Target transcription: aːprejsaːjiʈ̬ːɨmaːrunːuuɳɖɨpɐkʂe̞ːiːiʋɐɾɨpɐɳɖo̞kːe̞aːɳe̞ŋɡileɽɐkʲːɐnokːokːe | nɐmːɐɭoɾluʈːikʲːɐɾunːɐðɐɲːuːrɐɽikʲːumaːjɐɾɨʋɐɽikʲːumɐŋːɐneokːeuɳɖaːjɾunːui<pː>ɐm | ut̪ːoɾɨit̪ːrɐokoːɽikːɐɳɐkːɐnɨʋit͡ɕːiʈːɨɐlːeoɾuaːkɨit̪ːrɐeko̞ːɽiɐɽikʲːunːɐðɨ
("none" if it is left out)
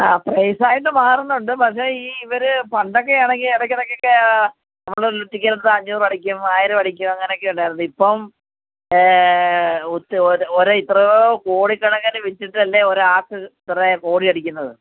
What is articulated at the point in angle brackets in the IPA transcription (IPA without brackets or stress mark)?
pː